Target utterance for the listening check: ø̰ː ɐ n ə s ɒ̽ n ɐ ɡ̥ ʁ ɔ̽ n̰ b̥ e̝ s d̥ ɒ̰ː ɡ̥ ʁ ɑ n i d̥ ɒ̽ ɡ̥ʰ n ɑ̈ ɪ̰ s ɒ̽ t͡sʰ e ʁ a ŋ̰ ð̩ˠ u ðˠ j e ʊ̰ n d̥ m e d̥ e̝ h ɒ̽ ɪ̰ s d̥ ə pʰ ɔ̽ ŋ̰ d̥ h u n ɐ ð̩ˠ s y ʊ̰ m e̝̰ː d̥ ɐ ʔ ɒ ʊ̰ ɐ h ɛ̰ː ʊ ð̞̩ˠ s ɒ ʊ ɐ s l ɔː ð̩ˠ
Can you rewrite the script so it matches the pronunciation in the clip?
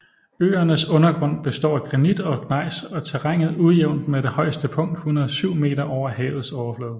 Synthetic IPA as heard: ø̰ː ɐ n ə s ɔ̽ n ɐ ɡ̥ ʁ ɔ̽ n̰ b̥ e̝ s d̥ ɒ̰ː ɡ̥ ʁ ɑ n i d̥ ɒ̽ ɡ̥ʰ n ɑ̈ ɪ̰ s ɒ̽ t͡sʰ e ʁ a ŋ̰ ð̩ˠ u ðˠ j e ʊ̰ n d̥ m e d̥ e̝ h ɒ̽ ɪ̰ s d̥ ə pʰ ɔ̽ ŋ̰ d̥ h u n ɐ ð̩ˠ s y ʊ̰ m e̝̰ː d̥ ɐ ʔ ɒ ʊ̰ ɐ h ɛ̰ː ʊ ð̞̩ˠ s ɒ ʊ ɐ f l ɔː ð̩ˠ